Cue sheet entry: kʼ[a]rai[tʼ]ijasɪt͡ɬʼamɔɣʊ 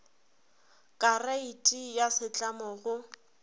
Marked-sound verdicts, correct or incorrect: correct, correct

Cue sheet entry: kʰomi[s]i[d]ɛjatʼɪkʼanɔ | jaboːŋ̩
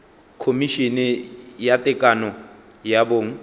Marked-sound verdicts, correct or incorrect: incorrect: ʃ, incorrect: n

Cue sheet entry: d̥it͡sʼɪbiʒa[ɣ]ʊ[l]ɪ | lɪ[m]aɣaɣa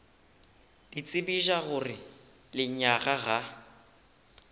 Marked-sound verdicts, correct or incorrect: correct, incorrect: r, incorrect: ɲ

